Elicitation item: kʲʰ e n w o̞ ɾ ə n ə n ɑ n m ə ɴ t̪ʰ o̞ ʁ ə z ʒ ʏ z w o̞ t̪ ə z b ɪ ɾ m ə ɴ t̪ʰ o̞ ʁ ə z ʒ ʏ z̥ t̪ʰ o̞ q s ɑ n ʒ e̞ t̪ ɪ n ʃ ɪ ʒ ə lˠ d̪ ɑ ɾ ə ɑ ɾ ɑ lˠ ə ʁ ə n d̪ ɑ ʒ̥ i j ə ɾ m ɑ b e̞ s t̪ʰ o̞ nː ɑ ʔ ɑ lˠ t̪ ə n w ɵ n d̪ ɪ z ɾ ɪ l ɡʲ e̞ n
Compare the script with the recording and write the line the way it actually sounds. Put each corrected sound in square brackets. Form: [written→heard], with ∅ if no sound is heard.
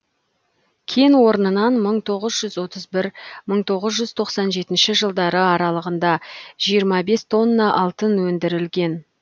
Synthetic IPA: kʲʰ e n w o̞ ɾ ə n ə n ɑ n m ə ɴ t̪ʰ o̞ ʁ ə z ʒ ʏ z w o̞ t̪ ə z b ɪ ɾ m ə ɴ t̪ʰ o̞ ʁ ə z ʒ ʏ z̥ t̪ʰ o̞ q s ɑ n ʒ e̞ t̪ ɪ n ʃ ɪ ʒ ə lˠ d̪ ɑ ɾ ə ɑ ɾ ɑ lˠ ə ʁ ə n d̪ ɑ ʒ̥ i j ə ɾ m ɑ b e̞ s t̪ʰ o̞ nː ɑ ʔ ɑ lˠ t̪ ə n w ɵ n d̪ ɪ [z→∅] ɾ ɪ l ɡʲ e̞ n